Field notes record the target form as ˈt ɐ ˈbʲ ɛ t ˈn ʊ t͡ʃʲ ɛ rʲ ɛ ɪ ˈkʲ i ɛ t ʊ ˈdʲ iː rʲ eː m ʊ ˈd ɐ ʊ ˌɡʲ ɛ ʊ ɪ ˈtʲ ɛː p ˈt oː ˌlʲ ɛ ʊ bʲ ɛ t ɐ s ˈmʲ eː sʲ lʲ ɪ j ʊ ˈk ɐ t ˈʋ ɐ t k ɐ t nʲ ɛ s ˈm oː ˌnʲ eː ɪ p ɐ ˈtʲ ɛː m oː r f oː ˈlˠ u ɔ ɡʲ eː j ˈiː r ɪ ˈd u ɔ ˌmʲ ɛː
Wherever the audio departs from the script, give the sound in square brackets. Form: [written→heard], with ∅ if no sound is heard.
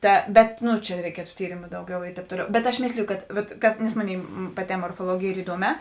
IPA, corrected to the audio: ˈt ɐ ˈbʲ ɛ t ˈn ʊ t͡ʃʲ ɛ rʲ ɛ ɪ ˈkʲ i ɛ t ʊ [ˈdʲ→ˈtʲ] iː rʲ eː m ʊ ˈd ɐ ʊ ˌɡʲ ɛ ʊ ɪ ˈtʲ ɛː p ˈt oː ˌlʲ ɛ ʊ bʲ ɛ t ɐ [s→ʃ] ˈmʲ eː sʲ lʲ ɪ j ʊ ˈk ɐ t ˈʋ ɐ t k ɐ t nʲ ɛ s ˈm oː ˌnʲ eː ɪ p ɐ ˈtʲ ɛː m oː r f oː ˈlˠ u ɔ ɡʲ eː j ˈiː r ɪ ˈd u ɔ ˌmʲ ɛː